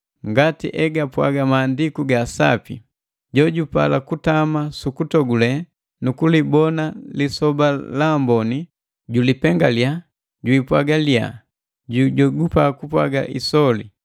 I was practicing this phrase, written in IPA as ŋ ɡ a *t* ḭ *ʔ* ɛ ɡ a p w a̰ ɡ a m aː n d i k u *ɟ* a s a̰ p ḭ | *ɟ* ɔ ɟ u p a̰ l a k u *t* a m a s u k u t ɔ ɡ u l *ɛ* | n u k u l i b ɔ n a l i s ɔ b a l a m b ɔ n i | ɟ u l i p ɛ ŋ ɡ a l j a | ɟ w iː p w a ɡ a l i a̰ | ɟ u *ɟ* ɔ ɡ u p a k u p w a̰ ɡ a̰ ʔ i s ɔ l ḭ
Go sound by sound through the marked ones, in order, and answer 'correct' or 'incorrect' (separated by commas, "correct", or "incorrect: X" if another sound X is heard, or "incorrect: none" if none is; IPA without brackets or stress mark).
correct, correct, incorrect: ɡ, correct, correct, correct, correct